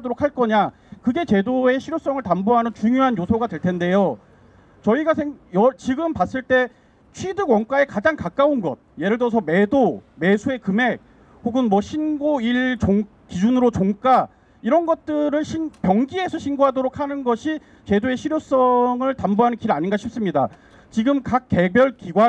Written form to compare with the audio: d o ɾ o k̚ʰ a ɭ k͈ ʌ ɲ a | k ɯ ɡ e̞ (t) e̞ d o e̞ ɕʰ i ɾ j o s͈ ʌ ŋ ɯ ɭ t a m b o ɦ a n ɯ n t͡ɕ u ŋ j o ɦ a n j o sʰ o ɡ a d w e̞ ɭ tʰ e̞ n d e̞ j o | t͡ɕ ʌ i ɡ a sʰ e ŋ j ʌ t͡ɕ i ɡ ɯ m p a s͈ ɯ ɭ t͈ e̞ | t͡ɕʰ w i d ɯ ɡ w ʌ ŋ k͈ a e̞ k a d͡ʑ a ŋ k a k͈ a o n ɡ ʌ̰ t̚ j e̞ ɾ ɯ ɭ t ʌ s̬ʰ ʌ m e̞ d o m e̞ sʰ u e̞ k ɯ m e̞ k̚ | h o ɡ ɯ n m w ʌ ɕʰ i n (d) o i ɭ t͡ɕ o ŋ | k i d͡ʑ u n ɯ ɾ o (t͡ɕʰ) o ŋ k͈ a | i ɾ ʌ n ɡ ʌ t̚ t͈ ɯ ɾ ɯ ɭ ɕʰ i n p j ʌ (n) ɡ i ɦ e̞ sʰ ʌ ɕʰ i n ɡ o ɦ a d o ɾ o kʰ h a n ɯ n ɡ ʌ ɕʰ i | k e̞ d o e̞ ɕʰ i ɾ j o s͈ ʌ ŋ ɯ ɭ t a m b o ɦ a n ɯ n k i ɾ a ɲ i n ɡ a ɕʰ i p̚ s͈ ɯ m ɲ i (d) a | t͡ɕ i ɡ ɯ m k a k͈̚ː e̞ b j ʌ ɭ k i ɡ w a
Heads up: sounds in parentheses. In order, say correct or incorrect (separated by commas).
incorrect, incorrect, incorrect, incorrect, correct